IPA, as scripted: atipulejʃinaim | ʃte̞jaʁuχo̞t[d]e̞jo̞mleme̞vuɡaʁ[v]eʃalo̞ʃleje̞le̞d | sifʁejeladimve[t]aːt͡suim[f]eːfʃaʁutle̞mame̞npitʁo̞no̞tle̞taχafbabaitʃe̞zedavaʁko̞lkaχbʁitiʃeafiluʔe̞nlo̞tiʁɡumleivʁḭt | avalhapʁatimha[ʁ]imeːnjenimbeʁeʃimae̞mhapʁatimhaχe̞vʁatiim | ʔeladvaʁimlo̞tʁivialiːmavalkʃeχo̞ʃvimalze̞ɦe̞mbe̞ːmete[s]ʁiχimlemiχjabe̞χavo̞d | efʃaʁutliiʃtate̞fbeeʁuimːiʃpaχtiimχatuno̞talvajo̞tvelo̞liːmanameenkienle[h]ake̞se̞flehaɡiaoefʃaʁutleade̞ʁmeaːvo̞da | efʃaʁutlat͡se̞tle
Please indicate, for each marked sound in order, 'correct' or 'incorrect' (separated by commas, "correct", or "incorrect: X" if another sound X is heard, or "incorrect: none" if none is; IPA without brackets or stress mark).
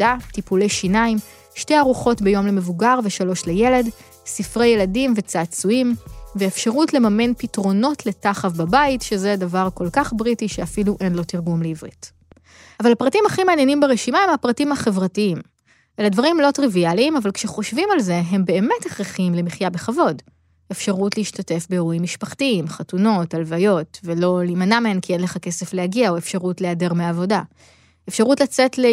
incorrect: b, correct, incorrect: t͡s, incorrect: v, incorrect: χ, incorrect: χ, incorrect: χ